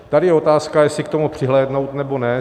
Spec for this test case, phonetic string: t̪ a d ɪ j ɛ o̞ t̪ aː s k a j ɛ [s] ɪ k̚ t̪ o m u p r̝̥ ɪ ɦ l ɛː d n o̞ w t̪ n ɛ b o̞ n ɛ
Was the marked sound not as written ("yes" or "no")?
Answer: no